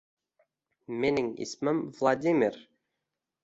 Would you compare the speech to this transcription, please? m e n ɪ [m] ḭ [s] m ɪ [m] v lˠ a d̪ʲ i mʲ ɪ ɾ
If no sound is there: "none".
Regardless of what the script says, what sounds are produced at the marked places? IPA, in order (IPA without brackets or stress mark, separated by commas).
ŋ, s, m